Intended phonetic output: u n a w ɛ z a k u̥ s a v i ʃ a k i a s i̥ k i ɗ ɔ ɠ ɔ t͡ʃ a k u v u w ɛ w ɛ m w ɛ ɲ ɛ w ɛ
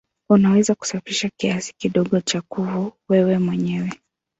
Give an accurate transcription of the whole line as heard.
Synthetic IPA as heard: u n a w ɛ z a k u̥ s a f i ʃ a k i a s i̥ k i ɗ ɔ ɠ ɔ t͡ʃ a k u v u w ɛ w ɛ m w ɛ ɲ ɛ w ɛ